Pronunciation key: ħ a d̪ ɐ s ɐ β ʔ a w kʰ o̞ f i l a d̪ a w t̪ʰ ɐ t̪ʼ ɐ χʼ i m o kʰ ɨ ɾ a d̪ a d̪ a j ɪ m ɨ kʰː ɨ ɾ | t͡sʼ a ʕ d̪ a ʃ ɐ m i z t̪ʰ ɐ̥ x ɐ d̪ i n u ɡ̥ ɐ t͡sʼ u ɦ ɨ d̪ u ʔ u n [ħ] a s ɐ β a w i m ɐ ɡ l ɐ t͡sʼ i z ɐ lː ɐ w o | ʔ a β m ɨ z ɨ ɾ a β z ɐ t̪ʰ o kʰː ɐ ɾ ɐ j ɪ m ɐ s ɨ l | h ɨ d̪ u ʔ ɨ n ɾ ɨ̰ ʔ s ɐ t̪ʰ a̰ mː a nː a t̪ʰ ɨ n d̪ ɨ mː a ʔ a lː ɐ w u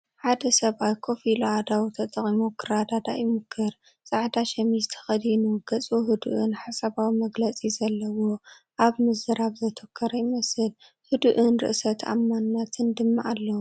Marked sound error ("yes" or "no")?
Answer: no